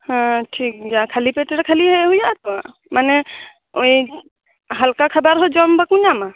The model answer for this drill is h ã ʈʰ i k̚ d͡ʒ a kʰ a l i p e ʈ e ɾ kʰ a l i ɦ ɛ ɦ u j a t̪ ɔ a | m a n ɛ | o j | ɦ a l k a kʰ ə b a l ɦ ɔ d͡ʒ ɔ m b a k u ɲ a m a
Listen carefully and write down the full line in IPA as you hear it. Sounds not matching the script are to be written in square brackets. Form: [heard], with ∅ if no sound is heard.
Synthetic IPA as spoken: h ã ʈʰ i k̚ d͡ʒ a kʰ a l i p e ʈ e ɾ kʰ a l i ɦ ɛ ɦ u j a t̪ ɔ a | m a n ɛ | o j | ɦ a l k a kʰ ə b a [ɾ] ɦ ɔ d͡ʒ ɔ m b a k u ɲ a m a